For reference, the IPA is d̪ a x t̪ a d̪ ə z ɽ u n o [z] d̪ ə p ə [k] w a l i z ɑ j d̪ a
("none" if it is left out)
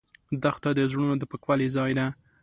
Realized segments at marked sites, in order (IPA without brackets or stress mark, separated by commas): none, k